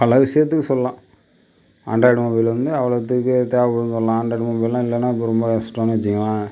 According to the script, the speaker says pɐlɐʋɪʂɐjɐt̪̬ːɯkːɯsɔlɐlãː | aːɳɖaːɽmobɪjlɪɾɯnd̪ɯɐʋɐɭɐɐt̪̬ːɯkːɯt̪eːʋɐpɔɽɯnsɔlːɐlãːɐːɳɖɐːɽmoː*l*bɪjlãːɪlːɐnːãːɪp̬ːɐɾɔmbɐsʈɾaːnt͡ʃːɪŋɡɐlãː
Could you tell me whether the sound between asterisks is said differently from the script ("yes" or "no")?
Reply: yes